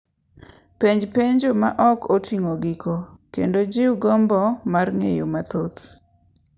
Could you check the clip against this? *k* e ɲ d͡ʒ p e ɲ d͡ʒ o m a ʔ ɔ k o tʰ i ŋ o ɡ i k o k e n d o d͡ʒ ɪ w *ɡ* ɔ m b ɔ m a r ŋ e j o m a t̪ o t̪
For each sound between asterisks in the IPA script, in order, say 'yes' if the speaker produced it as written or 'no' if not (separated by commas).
no, yes